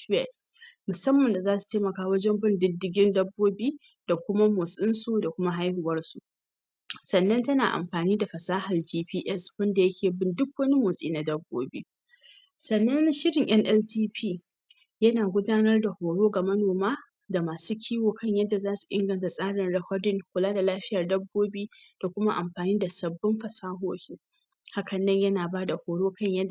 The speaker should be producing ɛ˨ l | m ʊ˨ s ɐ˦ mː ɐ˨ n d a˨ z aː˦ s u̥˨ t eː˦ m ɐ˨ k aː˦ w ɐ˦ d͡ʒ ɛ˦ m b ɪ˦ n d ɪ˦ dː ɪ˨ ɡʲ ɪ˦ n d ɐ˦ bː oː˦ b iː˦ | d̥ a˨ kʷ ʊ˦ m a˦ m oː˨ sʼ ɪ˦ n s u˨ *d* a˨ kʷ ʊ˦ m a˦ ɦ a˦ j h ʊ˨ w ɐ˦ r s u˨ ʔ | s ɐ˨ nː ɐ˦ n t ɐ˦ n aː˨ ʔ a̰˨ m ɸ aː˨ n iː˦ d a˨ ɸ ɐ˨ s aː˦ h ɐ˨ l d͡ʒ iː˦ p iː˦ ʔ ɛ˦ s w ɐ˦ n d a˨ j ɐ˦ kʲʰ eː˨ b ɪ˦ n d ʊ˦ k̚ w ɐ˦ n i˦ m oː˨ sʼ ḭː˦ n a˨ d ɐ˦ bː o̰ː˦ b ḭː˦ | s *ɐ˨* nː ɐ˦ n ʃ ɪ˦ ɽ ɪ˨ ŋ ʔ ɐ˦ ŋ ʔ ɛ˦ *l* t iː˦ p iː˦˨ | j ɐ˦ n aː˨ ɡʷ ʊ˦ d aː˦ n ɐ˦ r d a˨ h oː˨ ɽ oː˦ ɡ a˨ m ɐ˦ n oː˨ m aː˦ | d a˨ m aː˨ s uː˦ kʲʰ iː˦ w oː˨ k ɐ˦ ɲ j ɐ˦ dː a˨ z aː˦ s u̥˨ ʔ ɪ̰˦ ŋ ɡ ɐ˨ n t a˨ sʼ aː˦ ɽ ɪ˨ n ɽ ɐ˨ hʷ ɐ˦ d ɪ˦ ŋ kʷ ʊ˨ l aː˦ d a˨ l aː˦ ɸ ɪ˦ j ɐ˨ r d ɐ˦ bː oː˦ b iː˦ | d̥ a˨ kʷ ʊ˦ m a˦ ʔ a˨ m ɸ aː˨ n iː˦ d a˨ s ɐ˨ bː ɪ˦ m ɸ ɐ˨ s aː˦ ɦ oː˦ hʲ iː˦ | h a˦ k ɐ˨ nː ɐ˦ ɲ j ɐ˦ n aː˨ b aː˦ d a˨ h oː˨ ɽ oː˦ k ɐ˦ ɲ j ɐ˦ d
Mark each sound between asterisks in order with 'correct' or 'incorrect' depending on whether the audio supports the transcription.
correct, correct, correct

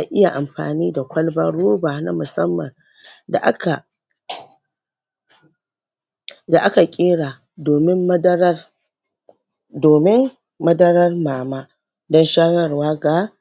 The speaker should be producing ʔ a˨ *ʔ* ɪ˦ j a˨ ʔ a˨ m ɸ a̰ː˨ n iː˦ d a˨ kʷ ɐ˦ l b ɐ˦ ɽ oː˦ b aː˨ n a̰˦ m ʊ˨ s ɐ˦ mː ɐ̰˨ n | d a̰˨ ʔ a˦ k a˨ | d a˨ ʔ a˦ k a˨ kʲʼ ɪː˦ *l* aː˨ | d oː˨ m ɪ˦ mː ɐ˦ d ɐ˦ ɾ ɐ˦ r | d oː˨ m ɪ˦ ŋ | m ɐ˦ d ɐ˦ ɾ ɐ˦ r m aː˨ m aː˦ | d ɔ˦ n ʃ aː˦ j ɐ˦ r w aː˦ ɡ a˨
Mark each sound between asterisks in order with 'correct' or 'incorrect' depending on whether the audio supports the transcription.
correct, incorrect: ɽ

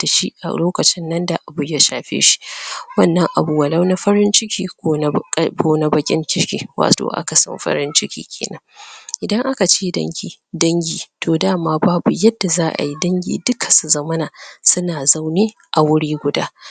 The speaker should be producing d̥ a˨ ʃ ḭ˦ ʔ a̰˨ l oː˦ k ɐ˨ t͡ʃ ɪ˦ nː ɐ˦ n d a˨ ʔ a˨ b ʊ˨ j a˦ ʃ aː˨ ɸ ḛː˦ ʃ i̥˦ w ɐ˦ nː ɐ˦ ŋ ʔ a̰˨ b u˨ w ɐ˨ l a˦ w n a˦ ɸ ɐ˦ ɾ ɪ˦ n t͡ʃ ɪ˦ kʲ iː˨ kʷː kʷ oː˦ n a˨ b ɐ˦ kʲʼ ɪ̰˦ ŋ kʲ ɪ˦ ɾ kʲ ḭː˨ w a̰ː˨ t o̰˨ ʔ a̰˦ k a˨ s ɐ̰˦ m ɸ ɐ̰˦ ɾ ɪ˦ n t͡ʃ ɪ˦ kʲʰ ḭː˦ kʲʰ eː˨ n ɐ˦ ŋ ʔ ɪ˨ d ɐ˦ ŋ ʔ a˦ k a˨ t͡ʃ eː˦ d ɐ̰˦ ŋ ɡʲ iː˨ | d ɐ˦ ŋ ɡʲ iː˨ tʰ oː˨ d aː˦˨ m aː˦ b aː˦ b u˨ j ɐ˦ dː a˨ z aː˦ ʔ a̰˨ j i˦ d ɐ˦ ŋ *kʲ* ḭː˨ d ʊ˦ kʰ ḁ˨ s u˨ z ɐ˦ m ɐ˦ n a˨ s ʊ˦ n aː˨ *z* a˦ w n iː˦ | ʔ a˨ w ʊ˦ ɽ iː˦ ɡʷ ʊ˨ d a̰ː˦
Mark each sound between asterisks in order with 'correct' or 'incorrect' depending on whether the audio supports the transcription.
incorrect: ɡʲ, correct

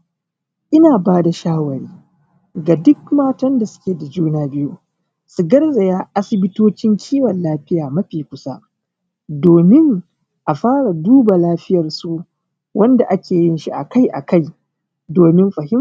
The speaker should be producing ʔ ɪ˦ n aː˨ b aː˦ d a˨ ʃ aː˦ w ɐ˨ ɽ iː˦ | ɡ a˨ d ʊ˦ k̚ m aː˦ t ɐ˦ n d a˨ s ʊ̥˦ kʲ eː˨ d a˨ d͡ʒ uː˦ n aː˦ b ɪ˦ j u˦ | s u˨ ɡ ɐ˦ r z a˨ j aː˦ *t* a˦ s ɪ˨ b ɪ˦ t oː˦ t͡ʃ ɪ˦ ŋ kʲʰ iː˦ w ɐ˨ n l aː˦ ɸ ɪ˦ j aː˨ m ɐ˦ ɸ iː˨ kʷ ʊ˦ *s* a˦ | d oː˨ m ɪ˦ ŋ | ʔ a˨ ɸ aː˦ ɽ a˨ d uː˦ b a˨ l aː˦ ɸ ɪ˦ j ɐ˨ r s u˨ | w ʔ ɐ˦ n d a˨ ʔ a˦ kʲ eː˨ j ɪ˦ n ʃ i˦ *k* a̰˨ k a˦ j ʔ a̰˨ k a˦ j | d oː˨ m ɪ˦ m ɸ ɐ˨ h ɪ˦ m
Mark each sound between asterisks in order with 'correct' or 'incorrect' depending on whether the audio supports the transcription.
incorrect: ʔ, correct, incorrect: ʔ

